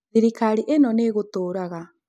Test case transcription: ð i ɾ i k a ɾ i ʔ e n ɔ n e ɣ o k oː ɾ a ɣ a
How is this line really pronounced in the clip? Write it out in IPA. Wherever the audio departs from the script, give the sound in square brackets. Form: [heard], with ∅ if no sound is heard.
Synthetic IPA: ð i ɾ i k a ɾ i ʔ e n ɔ n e ɣ o [t] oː ɾ a ɣ a